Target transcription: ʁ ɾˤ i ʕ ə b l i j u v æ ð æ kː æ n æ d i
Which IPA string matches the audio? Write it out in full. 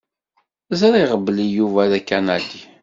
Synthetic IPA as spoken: z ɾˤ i ʁ ə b l i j u v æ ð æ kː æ n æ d i